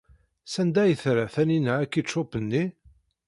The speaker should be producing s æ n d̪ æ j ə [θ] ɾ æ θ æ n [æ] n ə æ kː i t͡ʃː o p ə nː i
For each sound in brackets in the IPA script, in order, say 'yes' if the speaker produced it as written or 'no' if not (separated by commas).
yes, no